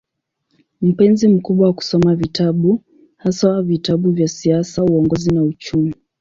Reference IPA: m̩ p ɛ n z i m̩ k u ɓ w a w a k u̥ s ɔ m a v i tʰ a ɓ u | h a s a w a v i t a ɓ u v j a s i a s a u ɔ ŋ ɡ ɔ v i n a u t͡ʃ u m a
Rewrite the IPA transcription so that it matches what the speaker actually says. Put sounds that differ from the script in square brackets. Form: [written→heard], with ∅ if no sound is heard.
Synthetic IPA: m̩ p ɛ n z i m̩ k u ɓ w a w a k u̥ s ɔ m a v i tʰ a ɓ u | h a s a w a v i t a ɓ u v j a s i a s a u ɔ ŋ ɡ ɔ [v→z] i n a u t͡ʃ u m [a→i]